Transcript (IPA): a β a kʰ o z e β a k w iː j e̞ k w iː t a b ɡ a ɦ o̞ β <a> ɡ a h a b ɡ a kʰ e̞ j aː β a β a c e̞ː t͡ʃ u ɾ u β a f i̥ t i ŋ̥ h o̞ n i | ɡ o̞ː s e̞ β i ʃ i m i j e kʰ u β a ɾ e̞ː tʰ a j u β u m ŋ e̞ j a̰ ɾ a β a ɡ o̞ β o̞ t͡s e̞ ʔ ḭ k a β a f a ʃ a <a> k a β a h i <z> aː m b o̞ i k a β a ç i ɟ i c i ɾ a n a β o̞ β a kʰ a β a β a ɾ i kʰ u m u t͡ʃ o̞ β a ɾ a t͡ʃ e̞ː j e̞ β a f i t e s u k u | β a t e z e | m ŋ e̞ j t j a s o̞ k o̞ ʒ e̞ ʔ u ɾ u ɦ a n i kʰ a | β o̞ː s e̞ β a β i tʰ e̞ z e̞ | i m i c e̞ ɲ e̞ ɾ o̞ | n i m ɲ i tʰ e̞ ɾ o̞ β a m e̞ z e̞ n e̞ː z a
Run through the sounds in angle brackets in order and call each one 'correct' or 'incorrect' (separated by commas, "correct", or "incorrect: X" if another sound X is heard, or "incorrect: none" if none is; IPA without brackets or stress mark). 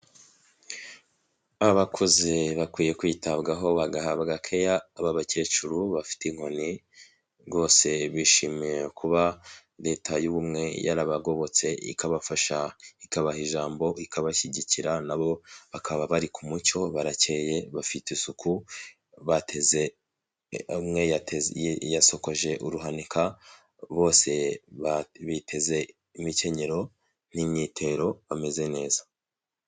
correct, incorrect: i, incorrect: ʒ